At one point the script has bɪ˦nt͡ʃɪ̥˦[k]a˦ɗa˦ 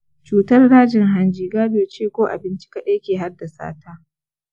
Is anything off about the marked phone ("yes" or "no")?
no